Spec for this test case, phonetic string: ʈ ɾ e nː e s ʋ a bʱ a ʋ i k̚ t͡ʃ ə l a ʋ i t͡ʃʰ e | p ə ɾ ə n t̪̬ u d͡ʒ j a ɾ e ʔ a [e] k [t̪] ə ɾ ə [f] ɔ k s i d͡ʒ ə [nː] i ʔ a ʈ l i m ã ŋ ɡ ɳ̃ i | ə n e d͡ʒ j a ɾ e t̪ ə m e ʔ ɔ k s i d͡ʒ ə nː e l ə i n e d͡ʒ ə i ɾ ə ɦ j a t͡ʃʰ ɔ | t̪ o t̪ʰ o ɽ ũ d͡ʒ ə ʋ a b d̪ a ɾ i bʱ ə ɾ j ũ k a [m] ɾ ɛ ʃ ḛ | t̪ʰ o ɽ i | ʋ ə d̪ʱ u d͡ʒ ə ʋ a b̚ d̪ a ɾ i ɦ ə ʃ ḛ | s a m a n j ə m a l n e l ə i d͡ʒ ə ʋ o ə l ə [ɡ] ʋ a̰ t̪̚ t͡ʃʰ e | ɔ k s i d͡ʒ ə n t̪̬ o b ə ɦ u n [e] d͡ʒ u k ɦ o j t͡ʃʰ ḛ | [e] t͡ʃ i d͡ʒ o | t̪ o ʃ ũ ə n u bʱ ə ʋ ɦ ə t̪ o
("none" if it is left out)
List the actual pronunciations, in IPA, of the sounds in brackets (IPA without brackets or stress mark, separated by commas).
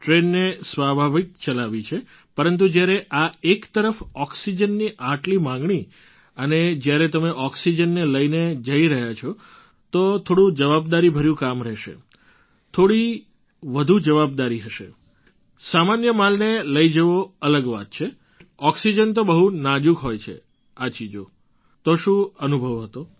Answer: e, t̪, f, nː, m, ɡ, a, a